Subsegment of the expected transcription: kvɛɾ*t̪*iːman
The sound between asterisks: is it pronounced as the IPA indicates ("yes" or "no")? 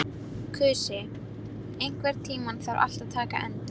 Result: no